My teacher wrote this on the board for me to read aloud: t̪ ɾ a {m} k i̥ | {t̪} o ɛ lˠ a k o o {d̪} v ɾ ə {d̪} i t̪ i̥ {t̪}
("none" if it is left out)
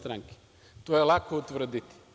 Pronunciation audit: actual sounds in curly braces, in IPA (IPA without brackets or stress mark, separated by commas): ŋ, t̪, t̪, d̪, none